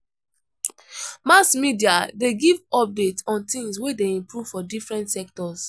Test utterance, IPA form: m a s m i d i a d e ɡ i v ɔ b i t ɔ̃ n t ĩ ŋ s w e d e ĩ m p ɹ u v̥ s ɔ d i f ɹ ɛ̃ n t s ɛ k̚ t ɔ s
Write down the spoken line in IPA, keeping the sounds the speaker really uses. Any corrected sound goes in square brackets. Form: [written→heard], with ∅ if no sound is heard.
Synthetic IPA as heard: m a s m i d i a d e ɡ i v ɔ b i t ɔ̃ n t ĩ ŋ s w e d e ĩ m p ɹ u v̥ [s→f] ɔ d i f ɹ ɛ̃ n t s ɛ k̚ t ɔ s